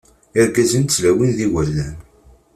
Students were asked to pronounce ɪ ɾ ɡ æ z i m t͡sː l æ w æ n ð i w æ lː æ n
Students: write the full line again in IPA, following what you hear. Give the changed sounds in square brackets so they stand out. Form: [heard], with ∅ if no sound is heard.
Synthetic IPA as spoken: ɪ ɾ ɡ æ z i [n] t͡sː l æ w [i] n ð i w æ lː æ n